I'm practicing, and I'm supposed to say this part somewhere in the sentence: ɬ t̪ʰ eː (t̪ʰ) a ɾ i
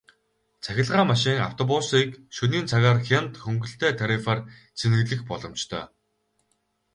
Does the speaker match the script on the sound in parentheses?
yes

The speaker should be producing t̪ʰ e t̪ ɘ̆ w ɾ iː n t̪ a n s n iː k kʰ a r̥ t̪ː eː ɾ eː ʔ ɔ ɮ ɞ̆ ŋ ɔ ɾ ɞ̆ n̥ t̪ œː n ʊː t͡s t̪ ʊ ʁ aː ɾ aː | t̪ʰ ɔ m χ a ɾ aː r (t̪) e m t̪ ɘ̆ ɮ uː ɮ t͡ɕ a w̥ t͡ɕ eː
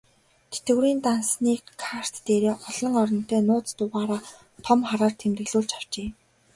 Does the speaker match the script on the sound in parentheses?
no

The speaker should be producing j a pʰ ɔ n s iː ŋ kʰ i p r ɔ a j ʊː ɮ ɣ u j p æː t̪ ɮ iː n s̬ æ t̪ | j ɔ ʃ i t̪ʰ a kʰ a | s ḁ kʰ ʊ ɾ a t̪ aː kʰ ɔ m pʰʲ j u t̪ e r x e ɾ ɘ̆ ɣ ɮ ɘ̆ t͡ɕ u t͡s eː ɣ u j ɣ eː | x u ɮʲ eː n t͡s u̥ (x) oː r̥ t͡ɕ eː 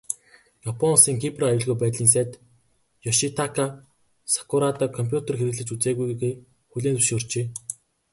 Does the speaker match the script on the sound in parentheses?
no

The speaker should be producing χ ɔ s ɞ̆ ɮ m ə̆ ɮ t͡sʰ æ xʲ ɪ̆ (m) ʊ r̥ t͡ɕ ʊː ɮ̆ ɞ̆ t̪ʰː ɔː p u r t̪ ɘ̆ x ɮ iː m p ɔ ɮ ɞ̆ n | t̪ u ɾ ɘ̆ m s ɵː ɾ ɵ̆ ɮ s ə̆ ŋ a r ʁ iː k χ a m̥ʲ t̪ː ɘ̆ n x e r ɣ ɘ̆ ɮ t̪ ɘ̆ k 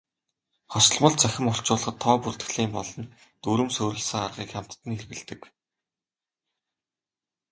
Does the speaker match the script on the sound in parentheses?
yes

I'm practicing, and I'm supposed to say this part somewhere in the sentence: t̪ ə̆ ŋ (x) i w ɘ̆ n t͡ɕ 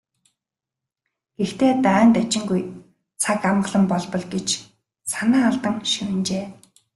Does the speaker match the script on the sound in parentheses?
no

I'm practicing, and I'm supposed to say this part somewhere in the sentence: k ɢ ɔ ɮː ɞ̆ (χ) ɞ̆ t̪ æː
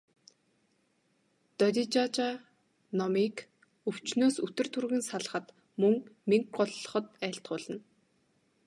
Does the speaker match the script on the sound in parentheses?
yes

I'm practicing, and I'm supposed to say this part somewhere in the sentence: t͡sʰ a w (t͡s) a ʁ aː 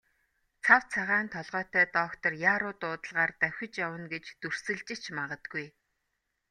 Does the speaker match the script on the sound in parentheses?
no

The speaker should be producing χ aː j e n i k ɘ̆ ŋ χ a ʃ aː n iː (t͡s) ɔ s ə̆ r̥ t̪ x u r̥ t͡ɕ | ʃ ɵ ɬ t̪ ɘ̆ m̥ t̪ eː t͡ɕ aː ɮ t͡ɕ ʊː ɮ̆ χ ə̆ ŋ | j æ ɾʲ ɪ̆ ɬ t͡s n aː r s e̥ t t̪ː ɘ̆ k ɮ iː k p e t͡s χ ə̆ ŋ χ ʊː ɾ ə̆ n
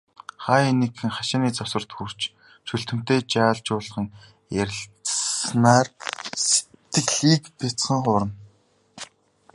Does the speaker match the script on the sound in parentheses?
yes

